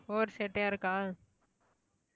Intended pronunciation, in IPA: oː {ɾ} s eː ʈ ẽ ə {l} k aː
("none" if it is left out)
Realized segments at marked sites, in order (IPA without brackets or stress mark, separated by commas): ɾ, ɾ